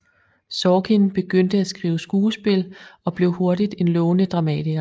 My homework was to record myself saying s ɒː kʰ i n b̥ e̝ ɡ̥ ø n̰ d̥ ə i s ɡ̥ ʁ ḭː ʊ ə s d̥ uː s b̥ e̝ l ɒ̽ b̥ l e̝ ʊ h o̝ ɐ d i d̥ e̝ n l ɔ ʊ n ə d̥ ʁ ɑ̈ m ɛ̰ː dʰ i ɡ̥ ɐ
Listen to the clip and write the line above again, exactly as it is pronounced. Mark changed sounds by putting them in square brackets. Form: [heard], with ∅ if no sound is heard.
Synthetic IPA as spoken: s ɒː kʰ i n b̥ e̝ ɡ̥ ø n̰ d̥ ə [æ] s ɡ̥ ʁ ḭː ʊ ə s [ɡ̥] uː s b̥ e̝ l ɒ̽ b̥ l e̝ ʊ h o̝ ɐ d i d̥ e̝ n l ɔ ʊ n ə d̥ ʁ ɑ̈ m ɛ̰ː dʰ i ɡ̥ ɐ